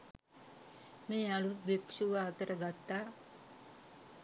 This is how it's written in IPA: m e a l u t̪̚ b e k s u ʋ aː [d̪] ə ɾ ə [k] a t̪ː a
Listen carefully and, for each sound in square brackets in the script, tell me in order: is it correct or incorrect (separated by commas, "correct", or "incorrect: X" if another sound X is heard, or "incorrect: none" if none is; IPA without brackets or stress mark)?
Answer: incorrect: t̪, incorrect: ɡ